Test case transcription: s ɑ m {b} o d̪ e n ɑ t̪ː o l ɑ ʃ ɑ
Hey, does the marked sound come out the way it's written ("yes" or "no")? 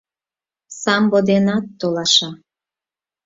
yes